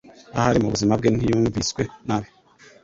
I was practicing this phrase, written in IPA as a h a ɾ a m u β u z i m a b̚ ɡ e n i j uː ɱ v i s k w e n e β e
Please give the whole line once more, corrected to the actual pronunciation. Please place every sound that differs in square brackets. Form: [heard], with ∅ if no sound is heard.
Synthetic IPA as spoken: a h a ɾ [i] m u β u z i m a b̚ ɡ e n i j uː ɱ v i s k w e n [a] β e